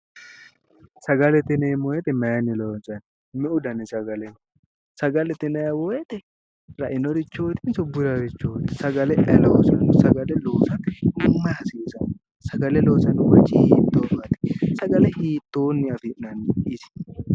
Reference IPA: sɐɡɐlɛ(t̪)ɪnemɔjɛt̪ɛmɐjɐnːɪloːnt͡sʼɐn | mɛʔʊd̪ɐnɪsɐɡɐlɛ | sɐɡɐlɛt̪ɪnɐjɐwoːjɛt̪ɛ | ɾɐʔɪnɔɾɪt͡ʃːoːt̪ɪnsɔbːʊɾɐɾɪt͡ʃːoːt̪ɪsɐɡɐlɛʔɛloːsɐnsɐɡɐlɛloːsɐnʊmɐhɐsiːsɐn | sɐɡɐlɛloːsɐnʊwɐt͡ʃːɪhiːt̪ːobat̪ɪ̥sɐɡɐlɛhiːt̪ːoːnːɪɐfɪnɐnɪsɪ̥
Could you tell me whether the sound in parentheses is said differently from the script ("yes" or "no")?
no